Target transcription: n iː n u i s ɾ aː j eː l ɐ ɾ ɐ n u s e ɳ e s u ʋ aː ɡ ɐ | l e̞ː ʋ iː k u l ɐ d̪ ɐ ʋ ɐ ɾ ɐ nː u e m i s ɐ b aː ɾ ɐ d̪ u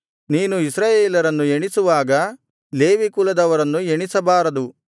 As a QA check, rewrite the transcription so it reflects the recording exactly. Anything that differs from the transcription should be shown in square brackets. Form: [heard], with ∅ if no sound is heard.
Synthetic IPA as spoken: n iː n u i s ɾ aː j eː l ɐ ɾ ɐ [nː] u [∅] e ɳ [i] s u ʋ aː ɡ ɐ | l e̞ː ʋ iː k u l ɐ d̪ ɐ ʋ ɐ ɾ ɐ nː u e [ɳ] i s ɐ b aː ɾ ɐ d̪ u